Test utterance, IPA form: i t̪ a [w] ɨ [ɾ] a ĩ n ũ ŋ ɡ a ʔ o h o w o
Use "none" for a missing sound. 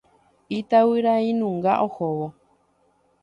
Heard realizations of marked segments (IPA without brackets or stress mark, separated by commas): w, ɾ